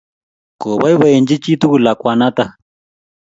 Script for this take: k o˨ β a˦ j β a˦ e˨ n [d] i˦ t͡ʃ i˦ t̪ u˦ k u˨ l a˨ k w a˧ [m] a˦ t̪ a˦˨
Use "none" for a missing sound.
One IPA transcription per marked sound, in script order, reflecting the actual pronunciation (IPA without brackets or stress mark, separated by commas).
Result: d͡ʒ, n